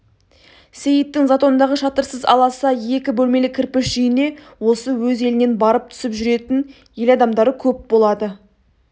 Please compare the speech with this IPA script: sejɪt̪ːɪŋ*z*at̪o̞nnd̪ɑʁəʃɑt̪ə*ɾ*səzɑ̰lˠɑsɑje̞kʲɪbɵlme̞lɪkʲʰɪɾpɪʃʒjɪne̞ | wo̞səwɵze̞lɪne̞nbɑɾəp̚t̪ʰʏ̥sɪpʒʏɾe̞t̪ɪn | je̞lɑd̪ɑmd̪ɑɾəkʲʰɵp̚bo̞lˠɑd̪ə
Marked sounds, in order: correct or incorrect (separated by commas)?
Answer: correct, correct